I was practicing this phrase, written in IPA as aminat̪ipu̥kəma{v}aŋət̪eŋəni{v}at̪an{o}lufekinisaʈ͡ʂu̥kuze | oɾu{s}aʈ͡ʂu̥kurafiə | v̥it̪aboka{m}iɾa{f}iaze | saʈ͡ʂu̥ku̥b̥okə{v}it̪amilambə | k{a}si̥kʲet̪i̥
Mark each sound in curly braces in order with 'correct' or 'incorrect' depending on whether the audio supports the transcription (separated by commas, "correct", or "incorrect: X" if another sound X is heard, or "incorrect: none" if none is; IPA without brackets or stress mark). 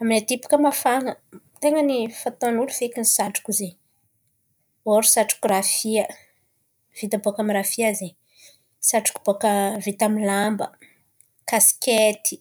incorrect: f, incorrect: f, incorrect: u, correct, correct, correct, correct, correct